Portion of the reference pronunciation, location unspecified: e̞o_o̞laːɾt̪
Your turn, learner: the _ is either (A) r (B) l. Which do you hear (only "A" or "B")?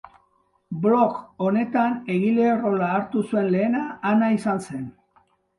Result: A